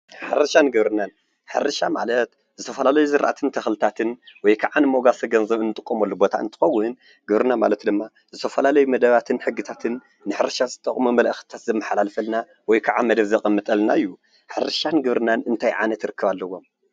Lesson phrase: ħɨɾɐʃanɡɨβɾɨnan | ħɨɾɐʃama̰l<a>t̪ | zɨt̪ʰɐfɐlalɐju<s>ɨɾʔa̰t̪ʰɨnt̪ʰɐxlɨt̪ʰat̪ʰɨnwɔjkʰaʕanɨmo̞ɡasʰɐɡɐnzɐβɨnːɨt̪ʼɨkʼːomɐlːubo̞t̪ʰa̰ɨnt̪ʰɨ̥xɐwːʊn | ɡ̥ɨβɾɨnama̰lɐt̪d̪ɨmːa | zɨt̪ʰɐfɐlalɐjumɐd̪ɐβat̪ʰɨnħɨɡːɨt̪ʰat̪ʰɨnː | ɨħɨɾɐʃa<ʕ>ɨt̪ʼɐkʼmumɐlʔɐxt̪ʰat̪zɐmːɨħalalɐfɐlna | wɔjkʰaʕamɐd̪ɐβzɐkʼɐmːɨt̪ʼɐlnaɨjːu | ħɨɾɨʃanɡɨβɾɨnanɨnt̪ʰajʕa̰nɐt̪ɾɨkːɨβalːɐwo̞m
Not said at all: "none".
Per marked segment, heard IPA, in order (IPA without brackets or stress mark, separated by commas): ɐ, z, z